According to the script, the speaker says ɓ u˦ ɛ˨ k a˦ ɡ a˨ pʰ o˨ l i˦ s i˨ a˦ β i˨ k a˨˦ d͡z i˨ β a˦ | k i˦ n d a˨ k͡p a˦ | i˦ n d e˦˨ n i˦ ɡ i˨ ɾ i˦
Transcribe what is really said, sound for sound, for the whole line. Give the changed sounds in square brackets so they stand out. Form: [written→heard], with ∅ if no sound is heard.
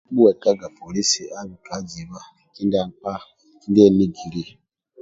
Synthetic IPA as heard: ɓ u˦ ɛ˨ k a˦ ɡ a˨ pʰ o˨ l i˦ s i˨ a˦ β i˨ k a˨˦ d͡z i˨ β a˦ | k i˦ n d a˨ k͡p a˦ | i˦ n d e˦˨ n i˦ ɡ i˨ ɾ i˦